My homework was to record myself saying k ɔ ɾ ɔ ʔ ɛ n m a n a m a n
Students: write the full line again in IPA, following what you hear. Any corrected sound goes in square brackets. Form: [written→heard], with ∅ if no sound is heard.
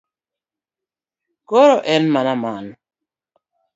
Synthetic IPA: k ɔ ɾ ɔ ʔ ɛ n m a n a m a n